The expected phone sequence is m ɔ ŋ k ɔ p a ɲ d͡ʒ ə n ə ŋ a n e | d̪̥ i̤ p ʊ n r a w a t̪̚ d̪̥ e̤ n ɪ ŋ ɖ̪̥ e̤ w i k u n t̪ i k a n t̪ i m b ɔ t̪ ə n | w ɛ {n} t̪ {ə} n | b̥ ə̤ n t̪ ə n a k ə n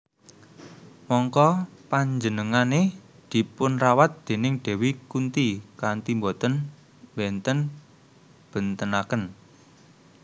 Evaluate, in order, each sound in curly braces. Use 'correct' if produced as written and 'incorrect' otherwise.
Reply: correct, correct

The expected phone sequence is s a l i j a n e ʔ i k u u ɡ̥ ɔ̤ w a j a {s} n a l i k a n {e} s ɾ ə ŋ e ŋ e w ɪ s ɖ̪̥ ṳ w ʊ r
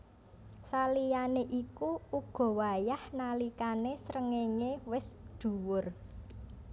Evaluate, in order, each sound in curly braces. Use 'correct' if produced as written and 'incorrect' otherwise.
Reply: incorrect: h, correct

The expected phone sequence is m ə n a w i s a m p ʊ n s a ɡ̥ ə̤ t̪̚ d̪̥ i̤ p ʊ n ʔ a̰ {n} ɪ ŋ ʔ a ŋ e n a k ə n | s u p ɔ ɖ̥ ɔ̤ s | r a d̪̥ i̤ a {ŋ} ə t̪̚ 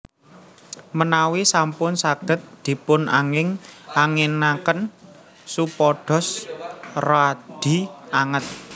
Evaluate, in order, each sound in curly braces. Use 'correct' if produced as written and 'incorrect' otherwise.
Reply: incorrect: ŋ, correct

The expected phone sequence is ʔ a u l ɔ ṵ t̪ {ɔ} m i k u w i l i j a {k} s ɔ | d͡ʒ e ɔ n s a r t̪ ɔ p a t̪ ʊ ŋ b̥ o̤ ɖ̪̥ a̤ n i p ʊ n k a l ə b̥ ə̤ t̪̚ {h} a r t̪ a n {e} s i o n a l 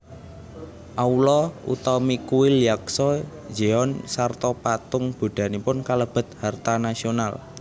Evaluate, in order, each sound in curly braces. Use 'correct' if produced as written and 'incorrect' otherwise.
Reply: correct, correct, correct, incorrect: a

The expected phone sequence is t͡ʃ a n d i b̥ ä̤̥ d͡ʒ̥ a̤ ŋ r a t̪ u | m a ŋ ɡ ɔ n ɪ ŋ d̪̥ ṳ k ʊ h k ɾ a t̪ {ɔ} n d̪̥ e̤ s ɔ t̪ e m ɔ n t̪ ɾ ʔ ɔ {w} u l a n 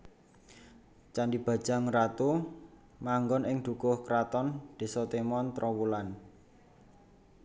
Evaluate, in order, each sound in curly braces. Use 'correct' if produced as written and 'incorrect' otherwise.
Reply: correct, correct

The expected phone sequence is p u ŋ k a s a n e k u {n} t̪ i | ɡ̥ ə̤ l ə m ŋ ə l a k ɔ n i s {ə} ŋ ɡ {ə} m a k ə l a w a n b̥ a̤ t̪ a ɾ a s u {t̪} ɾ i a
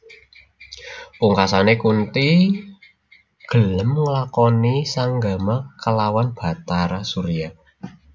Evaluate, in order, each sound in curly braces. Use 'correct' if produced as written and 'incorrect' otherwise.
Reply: correct, incorrect: a, incorrect: a, incorrect: none

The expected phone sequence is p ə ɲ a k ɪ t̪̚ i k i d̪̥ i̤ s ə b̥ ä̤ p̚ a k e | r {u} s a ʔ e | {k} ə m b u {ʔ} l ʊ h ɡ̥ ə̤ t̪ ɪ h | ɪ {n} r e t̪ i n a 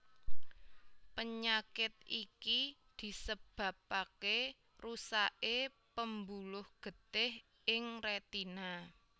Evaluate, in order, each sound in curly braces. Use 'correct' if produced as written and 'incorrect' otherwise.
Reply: correct, incorrect: p, incorrect: none, incorrect: ŋ

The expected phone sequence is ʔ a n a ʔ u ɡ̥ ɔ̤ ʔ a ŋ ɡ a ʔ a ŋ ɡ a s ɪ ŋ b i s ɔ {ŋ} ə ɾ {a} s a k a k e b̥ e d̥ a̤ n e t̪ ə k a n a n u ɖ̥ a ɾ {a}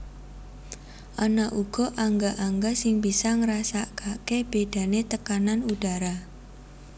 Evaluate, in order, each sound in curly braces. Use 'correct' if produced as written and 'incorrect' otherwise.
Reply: correct, correct, correct

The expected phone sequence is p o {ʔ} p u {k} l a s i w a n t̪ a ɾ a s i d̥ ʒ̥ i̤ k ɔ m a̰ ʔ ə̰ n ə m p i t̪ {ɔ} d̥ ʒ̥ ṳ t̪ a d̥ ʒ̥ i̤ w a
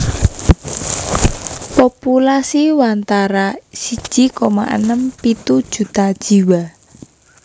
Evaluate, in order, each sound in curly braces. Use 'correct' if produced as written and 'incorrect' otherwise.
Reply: incorrect: none, incorrect: none, incorrect: u

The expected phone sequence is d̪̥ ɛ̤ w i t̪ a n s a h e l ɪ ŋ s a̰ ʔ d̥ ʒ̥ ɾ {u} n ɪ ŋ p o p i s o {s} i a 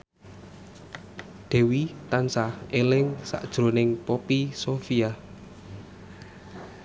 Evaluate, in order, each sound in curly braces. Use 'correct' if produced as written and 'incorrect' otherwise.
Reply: incorrect: o, incorrect: f

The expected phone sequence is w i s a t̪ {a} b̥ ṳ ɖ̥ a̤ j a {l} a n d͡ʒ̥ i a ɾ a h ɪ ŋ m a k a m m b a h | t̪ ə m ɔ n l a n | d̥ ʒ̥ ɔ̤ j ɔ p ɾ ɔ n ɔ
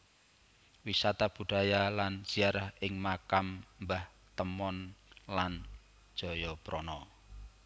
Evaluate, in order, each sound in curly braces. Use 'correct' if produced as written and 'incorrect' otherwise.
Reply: correct, correct

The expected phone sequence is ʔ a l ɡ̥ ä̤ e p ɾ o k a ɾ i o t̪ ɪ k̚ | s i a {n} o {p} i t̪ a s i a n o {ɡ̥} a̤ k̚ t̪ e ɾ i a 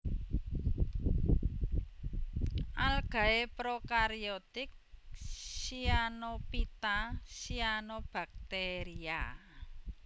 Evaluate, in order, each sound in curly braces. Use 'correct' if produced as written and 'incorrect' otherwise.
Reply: correct, correct, incorrect: b̥

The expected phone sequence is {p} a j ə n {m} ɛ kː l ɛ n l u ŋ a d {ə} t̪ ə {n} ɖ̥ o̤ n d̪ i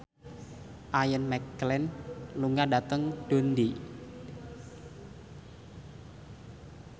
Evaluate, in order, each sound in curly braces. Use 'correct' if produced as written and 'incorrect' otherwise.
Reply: incorrect: ʔ, correct, incorrect: a, incorrect: ŋ

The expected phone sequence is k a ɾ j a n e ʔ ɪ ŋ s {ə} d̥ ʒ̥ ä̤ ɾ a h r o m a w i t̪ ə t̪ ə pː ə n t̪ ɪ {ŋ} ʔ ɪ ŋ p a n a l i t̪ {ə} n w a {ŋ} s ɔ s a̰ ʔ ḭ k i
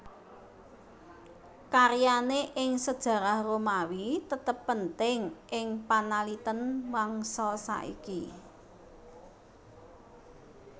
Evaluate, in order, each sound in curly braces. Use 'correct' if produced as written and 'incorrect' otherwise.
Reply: correct, correct, correct, correct

